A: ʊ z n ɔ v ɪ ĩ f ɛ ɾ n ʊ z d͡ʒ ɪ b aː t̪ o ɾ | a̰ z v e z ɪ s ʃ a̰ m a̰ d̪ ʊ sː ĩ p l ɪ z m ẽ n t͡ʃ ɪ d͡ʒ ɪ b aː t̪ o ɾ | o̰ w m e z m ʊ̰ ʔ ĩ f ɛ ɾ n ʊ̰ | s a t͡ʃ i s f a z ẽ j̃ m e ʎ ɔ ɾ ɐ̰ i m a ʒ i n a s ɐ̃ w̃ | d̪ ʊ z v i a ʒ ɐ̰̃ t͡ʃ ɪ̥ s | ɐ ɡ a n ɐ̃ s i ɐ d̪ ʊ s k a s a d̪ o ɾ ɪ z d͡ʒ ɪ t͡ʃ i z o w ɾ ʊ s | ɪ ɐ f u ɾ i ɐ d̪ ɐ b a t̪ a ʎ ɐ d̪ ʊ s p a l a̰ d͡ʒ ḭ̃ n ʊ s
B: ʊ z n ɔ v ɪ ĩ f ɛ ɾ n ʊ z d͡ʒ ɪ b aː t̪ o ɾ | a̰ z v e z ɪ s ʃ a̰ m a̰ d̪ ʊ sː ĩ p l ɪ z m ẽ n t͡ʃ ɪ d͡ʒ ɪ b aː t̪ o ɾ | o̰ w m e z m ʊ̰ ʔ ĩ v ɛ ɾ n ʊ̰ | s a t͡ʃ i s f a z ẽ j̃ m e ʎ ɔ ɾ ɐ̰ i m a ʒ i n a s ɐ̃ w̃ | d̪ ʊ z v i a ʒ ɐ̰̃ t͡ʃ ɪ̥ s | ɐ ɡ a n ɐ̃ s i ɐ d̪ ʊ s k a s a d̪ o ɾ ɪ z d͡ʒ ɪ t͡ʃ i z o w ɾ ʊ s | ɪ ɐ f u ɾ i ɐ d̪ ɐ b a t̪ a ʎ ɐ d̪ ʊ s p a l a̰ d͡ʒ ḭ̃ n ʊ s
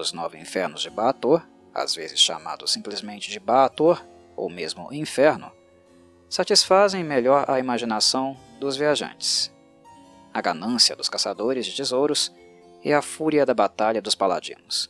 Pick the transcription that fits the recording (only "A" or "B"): A